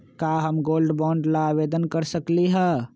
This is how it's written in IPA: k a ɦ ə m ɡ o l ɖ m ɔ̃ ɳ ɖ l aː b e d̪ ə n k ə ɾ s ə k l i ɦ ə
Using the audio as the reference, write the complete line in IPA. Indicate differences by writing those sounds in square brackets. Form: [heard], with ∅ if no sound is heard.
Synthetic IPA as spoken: k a ɦ ə m ɡ o l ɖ [b] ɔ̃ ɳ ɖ l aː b e d̪ ə n k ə ɾ s ə k l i ɦ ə